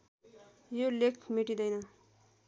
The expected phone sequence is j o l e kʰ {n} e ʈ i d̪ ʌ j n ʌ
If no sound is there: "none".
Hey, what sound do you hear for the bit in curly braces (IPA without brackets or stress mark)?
m